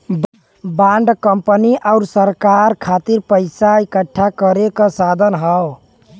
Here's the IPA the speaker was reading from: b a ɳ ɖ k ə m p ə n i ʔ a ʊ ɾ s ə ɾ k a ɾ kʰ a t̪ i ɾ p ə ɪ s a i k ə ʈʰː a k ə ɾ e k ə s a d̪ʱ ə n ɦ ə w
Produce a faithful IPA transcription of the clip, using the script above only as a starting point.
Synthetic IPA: b a ɳ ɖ k ə m p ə n i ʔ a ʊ ɾ s ə ɾ k a ɾ kʰ a t̪ i ɾ p ə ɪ s a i k ə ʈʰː a k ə ɾ e k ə s a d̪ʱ ə n ɦ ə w